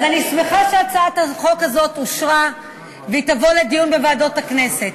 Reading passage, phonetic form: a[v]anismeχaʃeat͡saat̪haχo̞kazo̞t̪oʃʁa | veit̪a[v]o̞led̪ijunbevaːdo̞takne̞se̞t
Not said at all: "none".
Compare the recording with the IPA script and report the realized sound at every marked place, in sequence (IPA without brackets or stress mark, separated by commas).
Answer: z, v